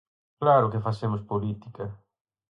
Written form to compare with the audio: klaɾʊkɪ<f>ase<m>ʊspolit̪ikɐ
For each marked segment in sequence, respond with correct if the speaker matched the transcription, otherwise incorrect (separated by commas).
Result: correct, correct